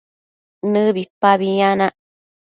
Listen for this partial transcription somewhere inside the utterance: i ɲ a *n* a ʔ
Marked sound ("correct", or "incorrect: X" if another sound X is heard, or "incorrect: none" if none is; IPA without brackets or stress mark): correct